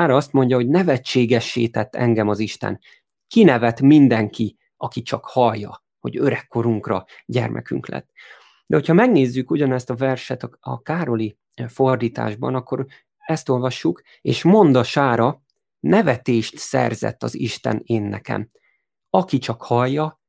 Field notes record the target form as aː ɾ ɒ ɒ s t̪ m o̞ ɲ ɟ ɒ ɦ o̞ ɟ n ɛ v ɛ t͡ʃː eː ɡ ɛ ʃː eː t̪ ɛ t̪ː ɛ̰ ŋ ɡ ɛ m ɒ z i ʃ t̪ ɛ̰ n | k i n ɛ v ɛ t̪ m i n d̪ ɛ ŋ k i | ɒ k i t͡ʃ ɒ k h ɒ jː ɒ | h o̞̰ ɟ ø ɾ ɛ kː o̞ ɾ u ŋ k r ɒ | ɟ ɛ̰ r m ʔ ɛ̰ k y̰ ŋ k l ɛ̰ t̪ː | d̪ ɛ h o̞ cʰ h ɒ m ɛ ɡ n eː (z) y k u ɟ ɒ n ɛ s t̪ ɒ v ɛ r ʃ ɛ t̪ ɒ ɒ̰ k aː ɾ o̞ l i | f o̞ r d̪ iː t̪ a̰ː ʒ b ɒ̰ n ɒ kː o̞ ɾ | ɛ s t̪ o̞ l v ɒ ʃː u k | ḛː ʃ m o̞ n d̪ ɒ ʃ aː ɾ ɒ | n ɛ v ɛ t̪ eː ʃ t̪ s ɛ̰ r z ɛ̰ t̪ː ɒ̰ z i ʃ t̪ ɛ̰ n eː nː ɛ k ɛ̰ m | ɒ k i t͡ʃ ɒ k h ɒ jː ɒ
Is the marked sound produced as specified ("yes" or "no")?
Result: no